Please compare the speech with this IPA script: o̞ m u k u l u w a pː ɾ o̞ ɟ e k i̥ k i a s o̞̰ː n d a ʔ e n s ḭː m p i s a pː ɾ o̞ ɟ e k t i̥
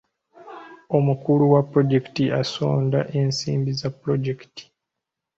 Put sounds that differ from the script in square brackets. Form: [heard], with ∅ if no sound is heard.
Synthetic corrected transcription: o̞ m u k u l u w a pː ɾ o̞ ɟ e k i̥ [t] i a s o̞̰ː n d a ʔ e n s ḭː m [b] i [z] a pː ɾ o̞ ɟ e k t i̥